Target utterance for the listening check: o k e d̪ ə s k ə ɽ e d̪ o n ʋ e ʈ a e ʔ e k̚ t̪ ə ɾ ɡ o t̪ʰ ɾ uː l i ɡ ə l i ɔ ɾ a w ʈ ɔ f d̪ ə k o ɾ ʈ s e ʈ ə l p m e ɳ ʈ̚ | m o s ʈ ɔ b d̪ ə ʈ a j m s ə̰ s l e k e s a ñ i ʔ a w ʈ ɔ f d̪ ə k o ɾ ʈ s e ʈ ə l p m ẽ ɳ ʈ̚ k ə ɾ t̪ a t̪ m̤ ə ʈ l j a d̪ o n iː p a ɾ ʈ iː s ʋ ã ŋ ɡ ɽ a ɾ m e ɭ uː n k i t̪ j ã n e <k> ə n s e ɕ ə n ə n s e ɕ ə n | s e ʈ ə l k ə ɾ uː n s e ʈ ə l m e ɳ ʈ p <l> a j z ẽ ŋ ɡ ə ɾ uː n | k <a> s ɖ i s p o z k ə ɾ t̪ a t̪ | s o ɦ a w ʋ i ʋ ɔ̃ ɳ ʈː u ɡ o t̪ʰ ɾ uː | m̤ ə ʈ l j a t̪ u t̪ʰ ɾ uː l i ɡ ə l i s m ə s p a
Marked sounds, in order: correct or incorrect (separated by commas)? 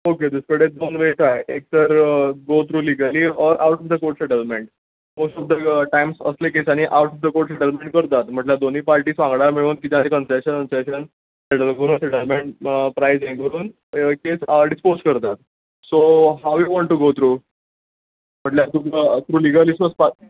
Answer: correct, incorrect, incorrect